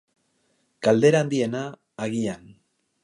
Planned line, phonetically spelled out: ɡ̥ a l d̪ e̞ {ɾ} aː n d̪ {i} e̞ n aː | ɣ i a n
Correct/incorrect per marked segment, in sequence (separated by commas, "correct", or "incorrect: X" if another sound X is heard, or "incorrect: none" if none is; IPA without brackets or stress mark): correct, correct